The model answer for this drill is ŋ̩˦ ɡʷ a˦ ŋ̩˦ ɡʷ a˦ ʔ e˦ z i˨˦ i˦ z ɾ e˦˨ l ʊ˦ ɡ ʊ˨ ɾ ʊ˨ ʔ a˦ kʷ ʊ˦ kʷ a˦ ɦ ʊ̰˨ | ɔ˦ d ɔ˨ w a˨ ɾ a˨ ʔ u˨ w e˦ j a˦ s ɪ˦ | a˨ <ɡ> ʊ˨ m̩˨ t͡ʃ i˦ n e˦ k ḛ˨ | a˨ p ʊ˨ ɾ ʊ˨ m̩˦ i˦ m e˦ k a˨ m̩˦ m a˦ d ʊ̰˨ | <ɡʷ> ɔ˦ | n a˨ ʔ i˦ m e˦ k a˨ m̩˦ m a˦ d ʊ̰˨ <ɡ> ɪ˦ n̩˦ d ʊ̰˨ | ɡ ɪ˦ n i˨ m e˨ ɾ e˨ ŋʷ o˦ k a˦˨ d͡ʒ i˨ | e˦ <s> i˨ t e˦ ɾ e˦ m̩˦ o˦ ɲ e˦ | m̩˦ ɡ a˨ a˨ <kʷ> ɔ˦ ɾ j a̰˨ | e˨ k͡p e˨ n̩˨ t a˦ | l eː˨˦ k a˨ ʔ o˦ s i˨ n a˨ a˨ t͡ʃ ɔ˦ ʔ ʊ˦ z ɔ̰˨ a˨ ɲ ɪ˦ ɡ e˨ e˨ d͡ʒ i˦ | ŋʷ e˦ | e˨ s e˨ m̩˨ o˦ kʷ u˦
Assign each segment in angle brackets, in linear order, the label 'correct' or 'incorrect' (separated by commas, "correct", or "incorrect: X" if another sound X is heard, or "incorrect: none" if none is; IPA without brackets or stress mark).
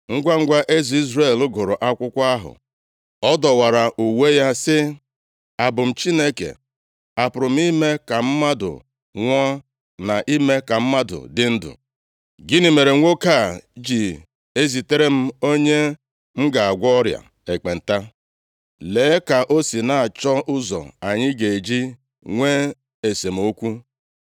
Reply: incorrect: b, incorrect: ŋʷ, incorrect: d, incorrect: z, incorrect: ɡʷ